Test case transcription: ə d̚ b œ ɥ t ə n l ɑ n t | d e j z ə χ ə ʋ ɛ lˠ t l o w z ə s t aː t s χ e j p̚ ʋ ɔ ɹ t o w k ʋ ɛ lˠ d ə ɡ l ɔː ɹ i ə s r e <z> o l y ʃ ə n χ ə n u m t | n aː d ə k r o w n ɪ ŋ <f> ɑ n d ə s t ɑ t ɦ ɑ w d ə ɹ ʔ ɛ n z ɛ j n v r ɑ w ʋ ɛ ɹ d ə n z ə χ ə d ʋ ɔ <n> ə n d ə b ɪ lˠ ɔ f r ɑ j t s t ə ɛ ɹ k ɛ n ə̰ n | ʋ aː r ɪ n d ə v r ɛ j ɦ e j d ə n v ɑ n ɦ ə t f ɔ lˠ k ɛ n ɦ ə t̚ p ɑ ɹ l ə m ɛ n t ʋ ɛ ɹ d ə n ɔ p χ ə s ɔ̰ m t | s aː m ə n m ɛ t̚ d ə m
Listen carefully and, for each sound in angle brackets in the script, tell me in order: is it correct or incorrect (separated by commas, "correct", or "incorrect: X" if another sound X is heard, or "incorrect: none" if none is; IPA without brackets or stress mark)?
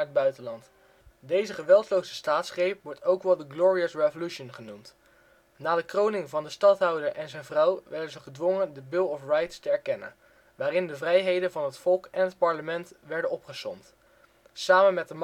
incorrect: v, incorrect: v, incorrect: ŋ